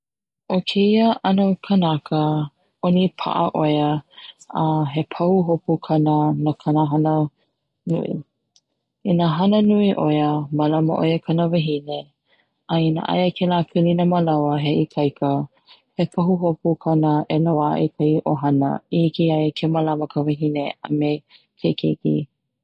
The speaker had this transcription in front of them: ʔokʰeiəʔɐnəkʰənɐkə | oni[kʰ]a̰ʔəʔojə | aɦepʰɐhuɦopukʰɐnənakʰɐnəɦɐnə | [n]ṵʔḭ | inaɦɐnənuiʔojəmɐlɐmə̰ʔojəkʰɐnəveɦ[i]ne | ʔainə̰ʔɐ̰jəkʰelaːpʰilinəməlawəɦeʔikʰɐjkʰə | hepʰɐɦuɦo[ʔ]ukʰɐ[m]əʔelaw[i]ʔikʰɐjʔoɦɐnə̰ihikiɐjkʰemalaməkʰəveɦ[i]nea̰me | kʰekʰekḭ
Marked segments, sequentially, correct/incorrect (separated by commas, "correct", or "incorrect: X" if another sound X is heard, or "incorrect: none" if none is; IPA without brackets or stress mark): incorrect: pʰ, correct, correct, incorrect: p, incorrect: n, incorrect: a, correct